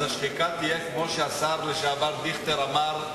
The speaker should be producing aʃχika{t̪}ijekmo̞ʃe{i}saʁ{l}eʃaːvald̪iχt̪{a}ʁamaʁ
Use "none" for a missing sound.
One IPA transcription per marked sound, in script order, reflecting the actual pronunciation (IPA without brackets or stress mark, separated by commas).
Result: t̪, a, l, e